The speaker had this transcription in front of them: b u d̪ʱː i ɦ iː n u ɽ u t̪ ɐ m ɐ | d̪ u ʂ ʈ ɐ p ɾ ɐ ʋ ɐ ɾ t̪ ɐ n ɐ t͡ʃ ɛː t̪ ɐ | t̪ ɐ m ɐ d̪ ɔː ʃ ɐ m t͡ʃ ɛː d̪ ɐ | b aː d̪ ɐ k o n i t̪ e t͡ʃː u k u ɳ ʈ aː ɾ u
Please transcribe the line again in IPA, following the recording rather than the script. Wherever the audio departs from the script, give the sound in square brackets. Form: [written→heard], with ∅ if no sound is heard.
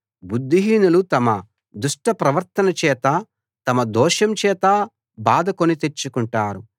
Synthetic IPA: b u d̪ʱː i ɦ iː n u [ɽ→l] u t̪ ɐ m ɐ | d̪ u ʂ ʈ ɐ p ɾ ɐ ʋ ɐ ɾ t̪ ɐ n ɐ t͡ʃ ɛː t̪ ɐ | t̪ ɐ m ɐ d̪ ɔː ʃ ɐ m t͡ʃ ɛː [d̪→t̪] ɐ | b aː d̪ ɐ k o n i t̪ e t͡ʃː u k u ɳ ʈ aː ɾ u

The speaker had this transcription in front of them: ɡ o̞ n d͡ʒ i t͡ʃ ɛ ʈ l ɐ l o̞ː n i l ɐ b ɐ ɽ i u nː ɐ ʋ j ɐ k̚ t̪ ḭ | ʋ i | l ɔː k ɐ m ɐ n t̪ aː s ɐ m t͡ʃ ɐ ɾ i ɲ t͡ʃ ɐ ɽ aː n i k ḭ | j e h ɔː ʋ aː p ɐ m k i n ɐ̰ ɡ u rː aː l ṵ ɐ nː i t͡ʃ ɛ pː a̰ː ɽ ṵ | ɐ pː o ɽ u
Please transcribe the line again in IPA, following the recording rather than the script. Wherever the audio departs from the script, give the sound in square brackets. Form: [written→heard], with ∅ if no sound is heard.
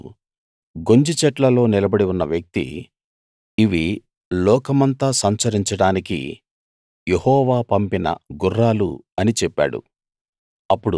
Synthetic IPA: ɡ o̞ [n→ɲ] d͡ʒ i t͡ʃ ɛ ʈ l ɐ l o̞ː n i l ɐ b ɐ ɽ i u nː ɐ ʋ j ɐ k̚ t̪ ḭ | ʋ i | l ɔː k ɐ m ɐ n t̪ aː s ɐ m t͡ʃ ɐ ɾ i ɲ t͡ʃ ɐ ɽ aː n i k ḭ | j e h ɔː ʋ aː p ɐ m [k→p] i n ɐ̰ ɡ u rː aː l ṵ ɐ [nː→n] i t͡ʃ ɛ pː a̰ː ɽ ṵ | ɐ pː [o→u] ɽ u

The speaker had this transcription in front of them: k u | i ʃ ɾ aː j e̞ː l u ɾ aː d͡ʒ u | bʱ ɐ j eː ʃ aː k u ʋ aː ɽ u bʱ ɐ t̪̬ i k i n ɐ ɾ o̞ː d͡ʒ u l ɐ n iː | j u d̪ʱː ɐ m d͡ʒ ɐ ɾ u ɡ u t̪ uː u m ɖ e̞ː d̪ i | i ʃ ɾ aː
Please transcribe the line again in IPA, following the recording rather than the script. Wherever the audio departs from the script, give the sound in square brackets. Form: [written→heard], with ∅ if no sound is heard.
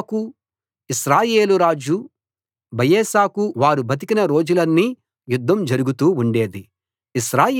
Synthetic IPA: k u | i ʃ ɾ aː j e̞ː l u ɾ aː d͡ʒ u | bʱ ɐ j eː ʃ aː k u ʋ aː [ɽ→ɾ] u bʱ ɐ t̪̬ i k i n ɐ ɾ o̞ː d͡ʒ u l ɐ [n→nː] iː | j u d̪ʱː ɐ m d͡ʒ ɐ ɾ u ɡ u t̪ uː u [m→ɳ] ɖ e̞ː d̪ i | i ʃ ɾ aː

